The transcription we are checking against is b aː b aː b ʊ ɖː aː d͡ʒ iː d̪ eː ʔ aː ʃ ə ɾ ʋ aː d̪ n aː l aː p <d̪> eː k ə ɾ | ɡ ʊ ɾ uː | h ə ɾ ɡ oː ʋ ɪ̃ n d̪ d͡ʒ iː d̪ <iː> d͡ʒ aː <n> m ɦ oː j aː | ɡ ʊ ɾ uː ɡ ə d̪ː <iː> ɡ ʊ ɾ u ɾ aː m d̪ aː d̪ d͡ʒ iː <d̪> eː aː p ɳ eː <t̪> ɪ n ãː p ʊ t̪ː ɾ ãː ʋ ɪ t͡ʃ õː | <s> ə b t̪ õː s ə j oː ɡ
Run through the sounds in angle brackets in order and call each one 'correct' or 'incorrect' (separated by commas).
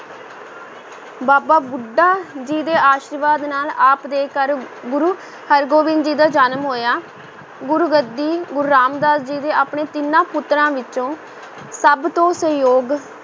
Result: correct, incorrect, correct, correct, correct, correct, correct